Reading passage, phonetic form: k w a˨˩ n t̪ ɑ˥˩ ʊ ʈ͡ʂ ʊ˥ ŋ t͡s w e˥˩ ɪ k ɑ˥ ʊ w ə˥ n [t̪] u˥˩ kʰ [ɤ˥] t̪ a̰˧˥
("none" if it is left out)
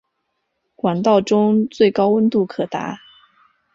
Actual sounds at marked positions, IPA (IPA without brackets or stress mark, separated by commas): t̪, ɤ˨˩